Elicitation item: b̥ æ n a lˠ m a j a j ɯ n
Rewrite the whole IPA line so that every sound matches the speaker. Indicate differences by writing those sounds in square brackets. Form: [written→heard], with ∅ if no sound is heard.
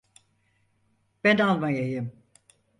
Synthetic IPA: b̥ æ n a lˠ m a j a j ɯ [n→m]